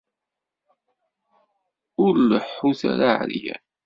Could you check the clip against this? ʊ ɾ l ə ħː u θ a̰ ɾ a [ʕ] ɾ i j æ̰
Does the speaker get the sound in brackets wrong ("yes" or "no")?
no